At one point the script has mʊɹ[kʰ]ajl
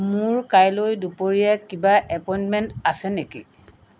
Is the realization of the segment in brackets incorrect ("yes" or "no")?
yes